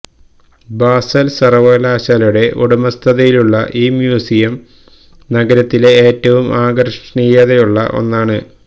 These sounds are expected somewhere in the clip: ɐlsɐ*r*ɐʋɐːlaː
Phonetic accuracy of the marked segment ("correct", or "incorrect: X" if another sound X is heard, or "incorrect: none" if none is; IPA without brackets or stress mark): correct